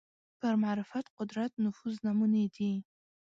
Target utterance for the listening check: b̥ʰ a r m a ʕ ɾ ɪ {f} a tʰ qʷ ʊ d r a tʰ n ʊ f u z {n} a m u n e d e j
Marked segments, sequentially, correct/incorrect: correct, correct

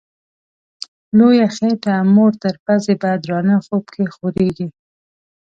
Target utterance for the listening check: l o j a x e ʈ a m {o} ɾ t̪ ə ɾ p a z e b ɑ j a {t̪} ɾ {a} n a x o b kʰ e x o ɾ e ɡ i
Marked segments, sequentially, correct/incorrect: correct, incorrect: d̪, incorrect: ɑ

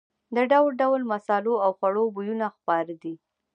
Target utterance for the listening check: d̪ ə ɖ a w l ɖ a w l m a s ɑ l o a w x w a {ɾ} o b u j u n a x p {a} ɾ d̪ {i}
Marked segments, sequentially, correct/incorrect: incorrect: ɽ, incorrect: ɑ, correct

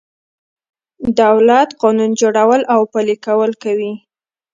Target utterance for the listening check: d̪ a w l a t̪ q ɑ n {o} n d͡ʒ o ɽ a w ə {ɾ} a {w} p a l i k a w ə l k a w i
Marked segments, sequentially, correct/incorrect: incorrect: u, incorrect: l, correct

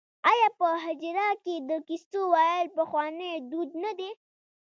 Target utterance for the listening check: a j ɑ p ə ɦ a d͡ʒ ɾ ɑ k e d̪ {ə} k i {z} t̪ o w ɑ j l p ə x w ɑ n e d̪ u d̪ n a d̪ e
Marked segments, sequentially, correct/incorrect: correct, incorrect: s

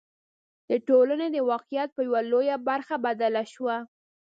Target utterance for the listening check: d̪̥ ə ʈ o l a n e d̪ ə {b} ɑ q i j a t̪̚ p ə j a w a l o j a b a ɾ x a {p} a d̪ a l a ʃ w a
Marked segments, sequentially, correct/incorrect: incorrect: w, incorrect: b

